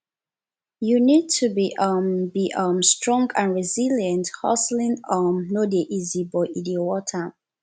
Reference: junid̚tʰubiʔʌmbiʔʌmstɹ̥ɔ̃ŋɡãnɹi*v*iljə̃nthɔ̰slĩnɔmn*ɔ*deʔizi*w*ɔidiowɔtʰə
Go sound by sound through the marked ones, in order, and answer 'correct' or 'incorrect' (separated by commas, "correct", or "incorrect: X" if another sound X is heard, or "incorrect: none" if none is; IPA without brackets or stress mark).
incorrect: z, incorrect: o, incorrect: b